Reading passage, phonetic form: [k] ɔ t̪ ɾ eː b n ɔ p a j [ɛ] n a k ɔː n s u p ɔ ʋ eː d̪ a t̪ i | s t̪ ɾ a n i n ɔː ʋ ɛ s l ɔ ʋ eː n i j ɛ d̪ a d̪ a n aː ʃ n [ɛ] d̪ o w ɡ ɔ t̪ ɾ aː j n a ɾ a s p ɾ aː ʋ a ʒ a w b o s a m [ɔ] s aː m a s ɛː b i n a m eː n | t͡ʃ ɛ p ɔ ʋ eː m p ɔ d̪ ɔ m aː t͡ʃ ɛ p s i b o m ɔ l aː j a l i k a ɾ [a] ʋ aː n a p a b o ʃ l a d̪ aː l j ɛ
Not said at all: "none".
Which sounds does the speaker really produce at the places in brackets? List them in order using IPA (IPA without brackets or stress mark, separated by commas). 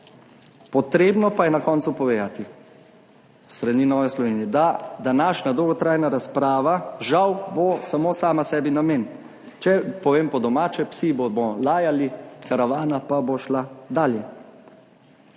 p, ɛ, a, o, a